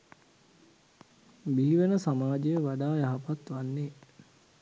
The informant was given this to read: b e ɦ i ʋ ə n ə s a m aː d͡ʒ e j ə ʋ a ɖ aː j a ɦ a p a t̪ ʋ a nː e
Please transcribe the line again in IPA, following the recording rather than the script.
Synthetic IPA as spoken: b i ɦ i ʋ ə n ə s a m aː d͡ʒ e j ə ʋ a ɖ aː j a ɦ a p a t̪ ʋ a nː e